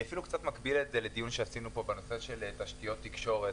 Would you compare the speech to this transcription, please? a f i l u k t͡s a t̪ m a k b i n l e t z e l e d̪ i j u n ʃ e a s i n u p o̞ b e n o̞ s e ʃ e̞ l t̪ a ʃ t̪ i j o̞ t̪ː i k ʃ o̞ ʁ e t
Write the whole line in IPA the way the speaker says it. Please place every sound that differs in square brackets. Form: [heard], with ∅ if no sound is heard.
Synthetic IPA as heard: a f i l u k t͡s a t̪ m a k b i [∅] l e t z e l e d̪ i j u n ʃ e a s i n u p o̞ b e n o̞ s e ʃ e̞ l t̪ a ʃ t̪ i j o̞ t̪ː i k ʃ o̞ ʁ e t